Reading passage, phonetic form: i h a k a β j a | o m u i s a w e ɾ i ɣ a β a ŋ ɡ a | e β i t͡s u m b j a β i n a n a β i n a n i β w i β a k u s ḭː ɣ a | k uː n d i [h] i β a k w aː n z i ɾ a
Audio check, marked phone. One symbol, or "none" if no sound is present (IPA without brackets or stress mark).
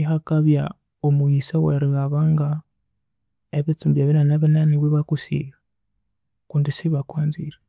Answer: s